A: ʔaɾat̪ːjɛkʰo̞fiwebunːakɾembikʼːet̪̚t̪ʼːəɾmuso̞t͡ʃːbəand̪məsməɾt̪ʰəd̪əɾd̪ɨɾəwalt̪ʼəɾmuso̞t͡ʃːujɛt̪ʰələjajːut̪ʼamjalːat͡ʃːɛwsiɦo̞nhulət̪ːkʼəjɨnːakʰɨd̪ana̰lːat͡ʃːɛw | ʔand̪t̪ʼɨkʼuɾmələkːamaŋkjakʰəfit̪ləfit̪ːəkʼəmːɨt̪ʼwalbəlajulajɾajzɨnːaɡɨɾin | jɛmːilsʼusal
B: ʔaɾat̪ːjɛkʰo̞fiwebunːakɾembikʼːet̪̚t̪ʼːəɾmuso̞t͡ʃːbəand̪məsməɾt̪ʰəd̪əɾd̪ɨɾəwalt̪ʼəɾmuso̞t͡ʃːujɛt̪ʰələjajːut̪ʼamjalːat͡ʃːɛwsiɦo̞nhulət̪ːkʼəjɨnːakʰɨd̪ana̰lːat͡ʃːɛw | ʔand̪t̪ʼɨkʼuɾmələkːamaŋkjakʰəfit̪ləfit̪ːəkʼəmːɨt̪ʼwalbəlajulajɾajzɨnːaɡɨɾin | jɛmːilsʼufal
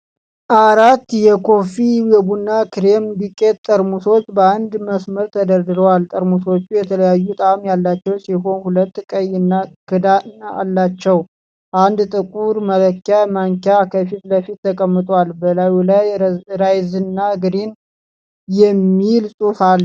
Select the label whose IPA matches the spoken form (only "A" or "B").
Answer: B